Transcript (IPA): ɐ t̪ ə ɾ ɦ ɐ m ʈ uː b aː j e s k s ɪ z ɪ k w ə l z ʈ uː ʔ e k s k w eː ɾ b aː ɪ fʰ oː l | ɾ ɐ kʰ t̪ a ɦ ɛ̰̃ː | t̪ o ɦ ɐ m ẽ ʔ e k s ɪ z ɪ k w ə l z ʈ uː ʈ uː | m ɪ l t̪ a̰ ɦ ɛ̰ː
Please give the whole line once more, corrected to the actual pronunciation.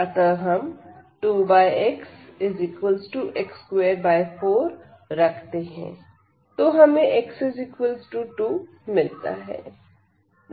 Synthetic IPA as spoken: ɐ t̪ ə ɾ ɦ ɐ m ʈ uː b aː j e k s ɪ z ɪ k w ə l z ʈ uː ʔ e k s k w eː ɾ b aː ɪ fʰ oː ɾ | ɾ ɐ kʰ t̪ e ɦ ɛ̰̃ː | t̪ o ɦ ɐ m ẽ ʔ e k s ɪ z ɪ k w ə l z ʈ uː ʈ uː | m ɪ l t̪ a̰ ɦ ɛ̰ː